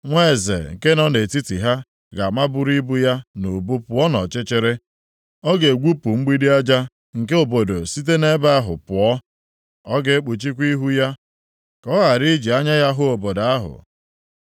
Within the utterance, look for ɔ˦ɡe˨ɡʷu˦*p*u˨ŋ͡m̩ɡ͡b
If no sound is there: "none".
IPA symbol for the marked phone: p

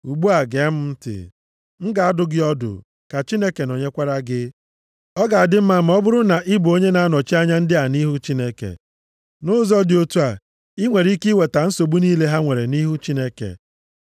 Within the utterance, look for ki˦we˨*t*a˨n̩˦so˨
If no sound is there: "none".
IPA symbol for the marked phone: t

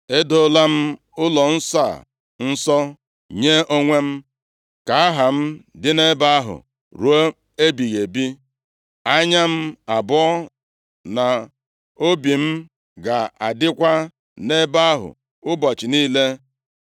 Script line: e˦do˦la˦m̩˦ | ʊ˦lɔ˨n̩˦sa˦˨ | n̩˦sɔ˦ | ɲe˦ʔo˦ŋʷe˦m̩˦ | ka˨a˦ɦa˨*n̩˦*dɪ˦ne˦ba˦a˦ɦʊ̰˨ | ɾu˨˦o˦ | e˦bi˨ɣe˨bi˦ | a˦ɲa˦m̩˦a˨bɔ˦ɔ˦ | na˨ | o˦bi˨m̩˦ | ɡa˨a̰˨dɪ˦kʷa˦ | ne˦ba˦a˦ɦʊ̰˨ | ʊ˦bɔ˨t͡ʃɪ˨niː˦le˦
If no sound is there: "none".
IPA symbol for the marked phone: m̩˦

